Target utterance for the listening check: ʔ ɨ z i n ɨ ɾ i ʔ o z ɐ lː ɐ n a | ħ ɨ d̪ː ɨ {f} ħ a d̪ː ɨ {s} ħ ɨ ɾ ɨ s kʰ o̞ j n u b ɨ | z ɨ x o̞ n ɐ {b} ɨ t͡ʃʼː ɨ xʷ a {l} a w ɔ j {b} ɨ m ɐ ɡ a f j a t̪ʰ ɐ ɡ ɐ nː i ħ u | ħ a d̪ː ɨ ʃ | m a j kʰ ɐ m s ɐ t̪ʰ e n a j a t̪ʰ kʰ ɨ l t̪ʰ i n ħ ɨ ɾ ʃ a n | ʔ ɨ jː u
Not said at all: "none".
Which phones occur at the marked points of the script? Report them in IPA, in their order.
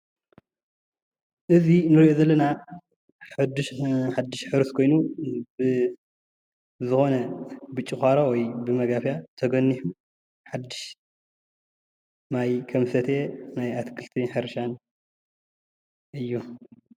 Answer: ʃ, ʃ, b, ɾ, b

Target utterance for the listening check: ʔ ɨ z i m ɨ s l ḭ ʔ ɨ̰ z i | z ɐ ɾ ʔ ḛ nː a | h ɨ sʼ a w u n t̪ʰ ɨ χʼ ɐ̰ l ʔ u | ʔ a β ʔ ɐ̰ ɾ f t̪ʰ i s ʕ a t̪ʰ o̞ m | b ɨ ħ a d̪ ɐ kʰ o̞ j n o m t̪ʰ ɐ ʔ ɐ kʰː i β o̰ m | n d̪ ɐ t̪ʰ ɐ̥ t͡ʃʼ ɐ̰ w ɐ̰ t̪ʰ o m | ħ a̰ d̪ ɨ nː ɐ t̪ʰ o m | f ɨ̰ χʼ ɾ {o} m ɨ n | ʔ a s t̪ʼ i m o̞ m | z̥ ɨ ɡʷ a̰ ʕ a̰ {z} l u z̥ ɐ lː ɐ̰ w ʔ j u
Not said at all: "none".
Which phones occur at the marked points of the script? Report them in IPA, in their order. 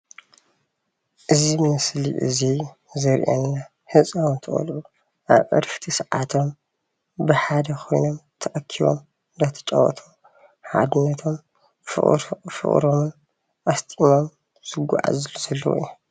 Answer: o, z

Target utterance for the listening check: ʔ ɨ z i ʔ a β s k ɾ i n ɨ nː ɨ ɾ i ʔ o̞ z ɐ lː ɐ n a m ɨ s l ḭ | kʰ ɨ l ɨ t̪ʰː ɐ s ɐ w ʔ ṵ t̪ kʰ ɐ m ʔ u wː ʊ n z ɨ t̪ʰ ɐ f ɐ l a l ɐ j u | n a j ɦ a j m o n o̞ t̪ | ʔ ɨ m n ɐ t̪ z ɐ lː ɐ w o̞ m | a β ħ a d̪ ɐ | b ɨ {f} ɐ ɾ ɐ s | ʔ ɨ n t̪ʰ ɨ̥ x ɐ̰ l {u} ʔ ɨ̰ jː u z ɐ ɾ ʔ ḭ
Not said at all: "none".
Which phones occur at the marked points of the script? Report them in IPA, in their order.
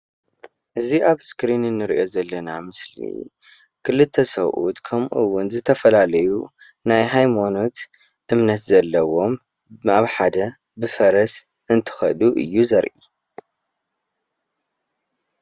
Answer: f, u

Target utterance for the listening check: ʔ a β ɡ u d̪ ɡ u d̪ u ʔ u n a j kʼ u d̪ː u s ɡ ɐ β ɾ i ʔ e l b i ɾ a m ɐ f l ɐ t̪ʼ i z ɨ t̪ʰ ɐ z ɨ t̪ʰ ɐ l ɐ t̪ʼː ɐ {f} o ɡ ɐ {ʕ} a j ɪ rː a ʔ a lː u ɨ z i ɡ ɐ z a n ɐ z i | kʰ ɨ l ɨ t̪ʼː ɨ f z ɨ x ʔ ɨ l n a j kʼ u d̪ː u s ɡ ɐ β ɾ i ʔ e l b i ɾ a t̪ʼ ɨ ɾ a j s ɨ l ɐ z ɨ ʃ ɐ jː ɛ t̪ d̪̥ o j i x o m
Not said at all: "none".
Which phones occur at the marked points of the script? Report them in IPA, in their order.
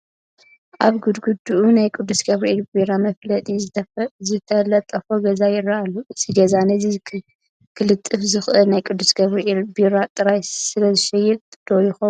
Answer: f, z

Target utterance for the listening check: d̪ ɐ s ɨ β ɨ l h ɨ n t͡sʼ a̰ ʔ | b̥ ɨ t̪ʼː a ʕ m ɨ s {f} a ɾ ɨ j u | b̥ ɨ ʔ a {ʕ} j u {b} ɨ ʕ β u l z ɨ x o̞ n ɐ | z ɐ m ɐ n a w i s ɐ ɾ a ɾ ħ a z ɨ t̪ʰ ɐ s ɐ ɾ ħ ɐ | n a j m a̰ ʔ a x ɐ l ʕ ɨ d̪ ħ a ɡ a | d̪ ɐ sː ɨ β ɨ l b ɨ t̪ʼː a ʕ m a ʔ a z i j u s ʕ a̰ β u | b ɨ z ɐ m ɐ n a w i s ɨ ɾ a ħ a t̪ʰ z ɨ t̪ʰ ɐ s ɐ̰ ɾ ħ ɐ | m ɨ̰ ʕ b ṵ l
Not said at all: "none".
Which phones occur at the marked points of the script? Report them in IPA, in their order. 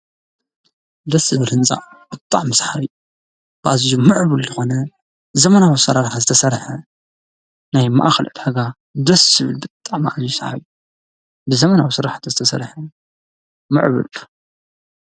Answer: ħ, z, m

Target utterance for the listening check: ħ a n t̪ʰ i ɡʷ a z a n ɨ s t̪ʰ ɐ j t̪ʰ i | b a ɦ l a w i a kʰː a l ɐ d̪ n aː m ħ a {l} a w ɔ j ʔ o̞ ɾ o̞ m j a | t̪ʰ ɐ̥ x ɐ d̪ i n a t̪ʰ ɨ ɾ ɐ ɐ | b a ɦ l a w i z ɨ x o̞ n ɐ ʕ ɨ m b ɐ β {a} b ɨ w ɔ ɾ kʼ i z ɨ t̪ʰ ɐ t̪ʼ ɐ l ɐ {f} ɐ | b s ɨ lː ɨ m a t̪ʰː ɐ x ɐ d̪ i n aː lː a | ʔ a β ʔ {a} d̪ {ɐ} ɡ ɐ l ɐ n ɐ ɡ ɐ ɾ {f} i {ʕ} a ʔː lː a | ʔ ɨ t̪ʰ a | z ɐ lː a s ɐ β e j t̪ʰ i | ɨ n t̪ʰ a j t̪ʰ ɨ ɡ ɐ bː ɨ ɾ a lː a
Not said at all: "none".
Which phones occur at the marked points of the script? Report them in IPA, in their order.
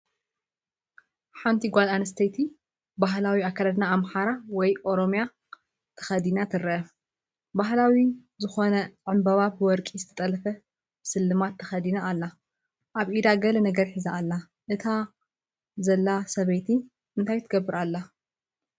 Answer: ɾ, a, f, i, a, ħ, z

